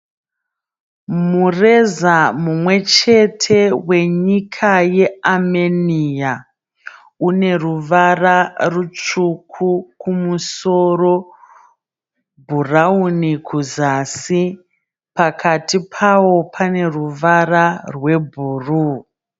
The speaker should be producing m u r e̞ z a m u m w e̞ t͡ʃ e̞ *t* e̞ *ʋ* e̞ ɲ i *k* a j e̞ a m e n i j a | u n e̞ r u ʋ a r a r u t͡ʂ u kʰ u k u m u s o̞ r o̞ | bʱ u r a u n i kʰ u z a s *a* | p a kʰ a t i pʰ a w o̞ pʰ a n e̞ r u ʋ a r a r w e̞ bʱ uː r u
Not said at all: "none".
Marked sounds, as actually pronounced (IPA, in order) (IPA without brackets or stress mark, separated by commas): tʰ, w, kʰ, i